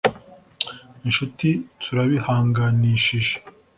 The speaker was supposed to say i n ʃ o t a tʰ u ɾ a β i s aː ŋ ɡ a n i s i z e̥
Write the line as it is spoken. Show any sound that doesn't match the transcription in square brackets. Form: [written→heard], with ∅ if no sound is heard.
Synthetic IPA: i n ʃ [o→u] t [a→i] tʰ u ɾ a β i [s→h] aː ŋ ɡ a n i [s→ʃ] i [z→ʒ] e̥